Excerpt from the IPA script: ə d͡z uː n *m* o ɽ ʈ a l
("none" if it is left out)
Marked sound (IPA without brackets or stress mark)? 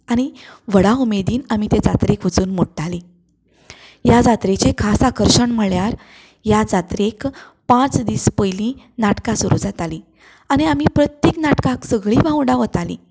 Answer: m